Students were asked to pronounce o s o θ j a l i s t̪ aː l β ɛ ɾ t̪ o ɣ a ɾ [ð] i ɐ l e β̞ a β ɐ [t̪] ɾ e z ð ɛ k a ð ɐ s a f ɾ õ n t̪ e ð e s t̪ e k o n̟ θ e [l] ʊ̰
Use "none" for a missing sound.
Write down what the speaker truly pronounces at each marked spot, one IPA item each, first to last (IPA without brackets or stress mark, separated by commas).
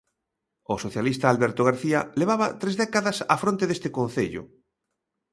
θ, t̪, ʎ